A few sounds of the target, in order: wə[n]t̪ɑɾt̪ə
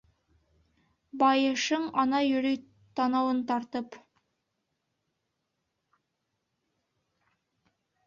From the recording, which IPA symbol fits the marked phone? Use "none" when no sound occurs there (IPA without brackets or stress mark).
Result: n